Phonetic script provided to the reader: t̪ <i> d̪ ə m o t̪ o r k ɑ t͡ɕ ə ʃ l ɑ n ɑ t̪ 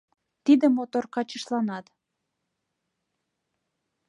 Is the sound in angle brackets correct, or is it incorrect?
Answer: correct